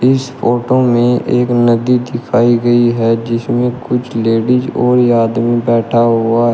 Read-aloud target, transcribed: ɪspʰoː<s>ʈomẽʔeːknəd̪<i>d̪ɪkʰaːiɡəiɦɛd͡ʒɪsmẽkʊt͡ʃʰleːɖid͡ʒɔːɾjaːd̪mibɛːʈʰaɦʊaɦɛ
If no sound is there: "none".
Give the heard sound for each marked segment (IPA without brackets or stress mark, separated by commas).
none, i